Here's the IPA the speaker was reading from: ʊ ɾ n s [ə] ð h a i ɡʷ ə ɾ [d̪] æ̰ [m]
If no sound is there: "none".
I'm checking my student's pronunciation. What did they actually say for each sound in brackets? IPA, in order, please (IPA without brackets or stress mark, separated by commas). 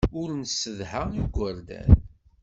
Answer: ə, d̪, n